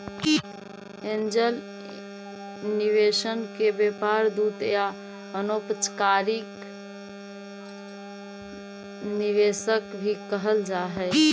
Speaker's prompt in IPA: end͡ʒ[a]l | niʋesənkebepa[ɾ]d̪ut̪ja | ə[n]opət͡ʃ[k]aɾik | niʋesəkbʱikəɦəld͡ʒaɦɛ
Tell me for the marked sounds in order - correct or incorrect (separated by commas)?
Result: incorrect, correct, correct, correct